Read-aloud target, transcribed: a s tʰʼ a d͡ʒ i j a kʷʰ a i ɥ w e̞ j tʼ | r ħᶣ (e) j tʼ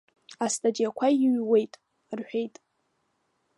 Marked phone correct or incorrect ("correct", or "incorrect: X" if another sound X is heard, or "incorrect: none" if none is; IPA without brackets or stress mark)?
correct